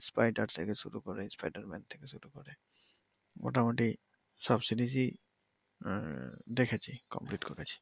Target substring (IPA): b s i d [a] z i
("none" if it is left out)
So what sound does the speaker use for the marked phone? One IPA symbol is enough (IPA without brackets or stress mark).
i